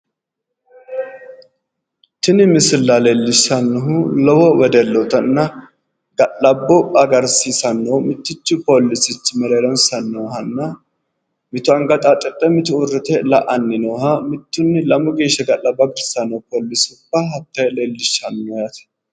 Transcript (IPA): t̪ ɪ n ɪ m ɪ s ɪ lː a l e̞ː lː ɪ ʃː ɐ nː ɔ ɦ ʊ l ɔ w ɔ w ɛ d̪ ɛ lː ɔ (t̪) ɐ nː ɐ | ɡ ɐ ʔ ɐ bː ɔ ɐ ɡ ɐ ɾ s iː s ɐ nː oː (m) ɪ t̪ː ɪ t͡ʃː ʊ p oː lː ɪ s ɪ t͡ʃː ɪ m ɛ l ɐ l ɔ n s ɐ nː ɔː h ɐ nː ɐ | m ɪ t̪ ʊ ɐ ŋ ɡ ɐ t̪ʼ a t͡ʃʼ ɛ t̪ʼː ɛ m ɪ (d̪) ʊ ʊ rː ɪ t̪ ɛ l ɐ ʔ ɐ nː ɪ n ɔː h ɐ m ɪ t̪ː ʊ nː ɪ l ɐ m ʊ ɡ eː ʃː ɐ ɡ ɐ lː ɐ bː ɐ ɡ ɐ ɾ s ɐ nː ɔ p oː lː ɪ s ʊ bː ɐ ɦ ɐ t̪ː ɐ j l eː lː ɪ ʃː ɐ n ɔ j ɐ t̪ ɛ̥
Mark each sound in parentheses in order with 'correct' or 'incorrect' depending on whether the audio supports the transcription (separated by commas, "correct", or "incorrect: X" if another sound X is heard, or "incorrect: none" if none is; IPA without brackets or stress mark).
correct, correct, incorrect: t̪